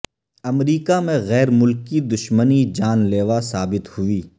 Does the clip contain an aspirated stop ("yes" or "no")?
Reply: no